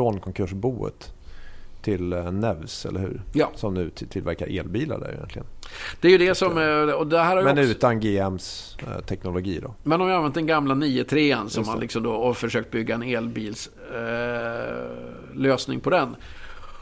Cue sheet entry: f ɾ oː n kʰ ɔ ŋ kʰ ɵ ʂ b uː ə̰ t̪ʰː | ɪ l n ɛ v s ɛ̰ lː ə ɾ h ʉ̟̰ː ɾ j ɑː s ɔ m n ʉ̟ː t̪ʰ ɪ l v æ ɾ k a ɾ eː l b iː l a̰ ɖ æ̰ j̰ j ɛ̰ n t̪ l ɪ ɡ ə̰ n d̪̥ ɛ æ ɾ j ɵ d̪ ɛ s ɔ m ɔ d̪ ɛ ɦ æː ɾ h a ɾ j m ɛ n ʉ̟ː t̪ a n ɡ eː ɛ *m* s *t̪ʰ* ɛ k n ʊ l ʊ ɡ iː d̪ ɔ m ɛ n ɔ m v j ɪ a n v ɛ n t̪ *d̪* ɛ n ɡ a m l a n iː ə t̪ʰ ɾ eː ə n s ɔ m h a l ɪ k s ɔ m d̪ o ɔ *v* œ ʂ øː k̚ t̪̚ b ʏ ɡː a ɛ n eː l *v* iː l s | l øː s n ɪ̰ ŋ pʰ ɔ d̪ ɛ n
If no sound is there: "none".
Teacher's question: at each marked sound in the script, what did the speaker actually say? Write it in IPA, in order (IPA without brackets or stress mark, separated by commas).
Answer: m, t̪ʰ, d̪, f, b